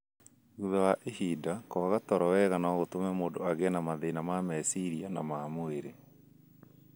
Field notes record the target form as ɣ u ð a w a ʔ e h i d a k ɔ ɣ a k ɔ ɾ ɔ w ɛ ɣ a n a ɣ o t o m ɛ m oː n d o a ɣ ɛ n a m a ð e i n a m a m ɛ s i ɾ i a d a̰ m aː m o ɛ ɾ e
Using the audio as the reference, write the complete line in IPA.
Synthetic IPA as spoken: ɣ u ð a w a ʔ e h i d a k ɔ ɣ a t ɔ ɾ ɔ w ɛ ɣ a n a ɣ o t o m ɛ m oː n d o a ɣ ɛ n a m a ð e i n a m a m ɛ s i ɾ i a n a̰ m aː m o e ɾ e